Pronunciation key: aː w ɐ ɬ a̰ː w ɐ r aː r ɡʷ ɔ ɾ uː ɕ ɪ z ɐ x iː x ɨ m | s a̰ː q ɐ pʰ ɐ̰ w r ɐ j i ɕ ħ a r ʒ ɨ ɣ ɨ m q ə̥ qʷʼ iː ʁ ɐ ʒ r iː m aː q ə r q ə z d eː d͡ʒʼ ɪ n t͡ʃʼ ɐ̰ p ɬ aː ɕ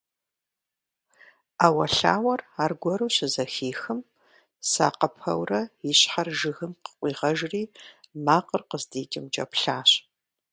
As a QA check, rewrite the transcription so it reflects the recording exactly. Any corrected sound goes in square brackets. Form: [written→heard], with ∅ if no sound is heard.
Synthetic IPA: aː w ɐ ɬ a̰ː w ɐ r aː r ɡʷ ɔ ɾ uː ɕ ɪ z ɐ x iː x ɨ m | s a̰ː q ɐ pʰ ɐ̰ w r ɐ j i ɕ ħ a r ʒ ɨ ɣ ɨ m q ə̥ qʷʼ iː ʁ ɐ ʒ r iː m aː q ə r q ə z d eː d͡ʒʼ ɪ [n→m] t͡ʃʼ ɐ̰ p ɬ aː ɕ